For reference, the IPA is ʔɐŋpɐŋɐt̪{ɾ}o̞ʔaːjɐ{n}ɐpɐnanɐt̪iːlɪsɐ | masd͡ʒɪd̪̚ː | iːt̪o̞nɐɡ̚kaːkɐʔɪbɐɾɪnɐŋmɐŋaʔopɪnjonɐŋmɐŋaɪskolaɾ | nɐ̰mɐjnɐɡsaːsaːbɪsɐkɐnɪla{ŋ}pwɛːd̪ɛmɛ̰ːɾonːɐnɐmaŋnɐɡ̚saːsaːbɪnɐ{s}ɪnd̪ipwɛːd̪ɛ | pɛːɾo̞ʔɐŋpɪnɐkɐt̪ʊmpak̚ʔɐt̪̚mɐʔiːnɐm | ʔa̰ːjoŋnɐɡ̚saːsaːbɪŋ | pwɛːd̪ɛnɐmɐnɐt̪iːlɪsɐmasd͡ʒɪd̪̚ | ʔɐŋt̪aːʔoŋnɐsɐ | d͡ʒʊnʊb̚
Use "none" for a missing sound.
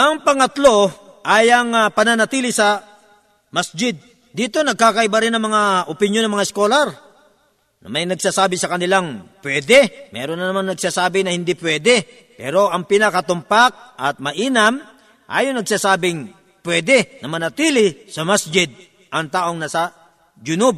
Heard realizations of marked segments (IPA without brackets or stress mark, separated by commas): l, ŋ, ŋ, h